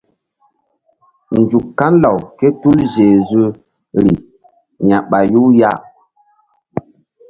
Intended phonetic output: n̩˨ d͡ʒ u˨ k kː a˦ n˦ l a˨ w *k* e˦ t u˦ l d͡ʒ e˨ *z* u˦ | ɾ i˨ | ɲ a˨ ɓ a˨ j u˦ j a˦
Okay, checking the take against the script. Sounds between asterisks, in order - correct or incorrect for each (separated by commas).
correct, correct